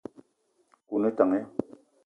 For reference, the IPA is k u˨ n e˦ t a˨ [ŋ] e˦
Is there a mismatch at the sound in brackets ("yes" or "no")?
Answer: no